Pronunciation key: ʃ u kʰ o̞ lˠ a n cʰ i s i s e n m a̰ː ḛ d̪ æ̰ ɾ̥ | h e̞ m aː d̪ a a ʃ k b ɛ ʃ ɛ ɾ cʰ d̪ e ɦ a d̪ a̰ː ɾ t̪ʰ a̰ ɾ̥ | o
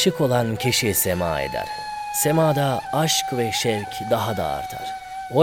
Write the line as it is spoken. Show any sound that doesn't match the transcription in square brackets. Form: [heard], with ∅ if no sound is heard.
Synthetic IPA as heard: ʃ [ɯ] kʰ o̞ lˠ a n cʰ i [ʃ] i s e [∅] m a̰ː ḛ d̪ æ̰ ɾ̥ | [s] e̞ m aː d̪ a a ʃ k [v] ɛ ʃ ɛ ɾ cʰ d̪ [a] ɦ a d̪ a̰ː ɾ t̪ʰ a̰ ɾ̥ | o